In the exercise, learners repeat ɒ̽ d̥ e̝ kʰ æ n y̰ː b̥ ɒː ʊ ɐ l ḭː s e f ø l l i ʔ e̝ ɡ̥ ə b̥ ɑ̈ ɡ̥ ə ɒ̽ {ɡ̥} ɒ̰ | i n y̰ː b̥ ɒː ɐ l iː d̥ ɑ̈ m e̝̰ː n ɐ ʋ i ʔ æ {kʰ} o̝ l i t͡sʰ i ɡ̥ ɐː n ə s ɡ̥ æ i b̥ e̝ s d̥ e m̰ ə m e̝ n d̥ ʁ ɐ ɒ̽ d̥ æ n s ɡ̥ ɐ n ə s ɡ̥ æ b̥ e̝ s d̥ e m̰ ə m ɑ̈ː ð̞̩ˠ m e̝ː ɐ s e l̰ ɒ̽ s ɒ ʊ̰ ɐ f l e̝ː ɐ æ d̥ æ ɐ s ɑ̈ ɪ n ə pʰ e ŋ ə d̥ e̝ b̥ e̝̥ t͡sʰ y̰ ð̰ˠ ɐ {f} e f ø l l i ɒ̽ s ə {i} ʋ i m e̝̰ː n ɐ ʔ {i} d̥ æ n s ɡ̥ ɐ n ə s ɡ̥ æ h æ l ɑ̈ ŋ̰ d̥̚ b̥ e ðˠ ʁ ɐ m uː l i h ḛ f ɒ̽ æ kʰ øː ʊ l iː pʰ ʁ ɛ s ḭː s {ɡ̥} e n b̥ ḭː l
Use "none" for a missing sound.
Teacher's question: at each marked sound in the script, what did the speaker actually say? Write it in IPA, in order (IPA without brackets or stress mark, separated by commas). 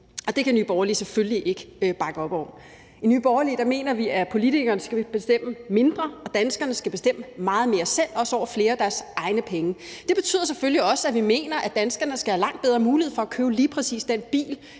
b̥, pʰ, s, æ, æ, d̥